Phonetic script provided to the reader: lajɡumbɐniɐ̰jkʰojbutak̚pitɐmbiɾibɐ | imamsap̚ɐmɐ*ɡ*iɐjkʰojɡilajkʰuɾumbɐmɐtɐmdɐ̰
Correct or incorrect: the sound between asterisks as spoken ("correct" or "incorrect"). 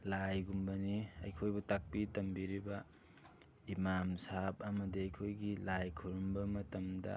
incorrect